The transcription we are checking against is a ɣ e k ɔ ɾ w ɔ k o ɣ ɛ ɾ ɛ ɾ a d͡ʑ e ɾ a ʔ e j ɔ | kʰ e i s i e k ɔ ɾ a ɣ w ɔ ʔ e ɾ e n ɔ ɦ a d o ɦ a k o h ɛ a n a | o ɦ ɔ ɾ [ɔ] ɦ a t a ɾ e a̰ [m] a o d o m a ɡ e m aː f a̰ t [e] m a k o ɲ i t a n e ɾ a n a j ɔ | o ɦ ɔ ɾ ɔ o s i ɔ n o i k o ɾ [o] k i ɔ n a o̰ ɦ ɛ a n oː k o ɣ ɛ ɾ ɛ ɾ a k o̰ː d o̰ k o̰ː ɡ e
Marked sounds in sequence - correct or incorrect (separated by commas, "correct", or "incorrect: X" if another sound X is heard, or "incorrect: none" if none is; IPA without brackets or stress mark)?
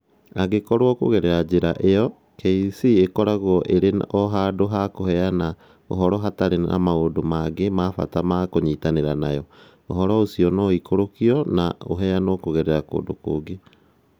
correct, correct, incorrect: a, correct